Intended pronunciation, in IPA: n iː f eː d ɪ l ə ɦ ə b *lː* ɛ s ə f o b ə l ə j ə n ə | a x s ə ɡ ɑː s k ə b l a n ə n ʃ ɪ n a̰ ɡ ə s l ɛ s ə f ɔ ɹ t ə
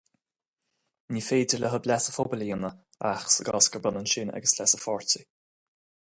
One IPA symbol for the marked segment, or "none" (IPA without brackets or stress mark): l